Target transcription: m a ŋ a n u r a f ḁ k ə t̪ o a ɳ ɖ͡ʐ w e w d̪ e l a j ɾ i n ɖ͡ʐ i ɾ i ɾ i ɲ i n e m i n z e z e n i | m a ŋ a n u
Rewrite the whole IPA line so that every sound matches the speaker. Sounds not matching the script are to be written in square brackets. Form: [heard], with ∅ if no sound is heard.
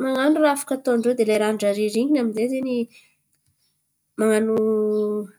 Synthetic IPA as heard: m a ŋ a n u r a f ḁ k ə t̪ o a ɳ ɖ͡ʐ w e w d̪ e l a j ɾ [a] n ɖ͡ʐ [a] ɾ i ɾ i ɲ i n [a] m i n z e z e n i | m a ŋ a n u